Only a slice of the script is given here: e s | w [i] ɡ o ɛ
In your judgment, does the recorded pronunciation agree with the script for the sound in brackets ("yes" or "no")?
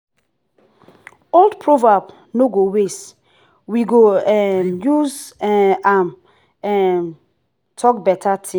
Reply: yes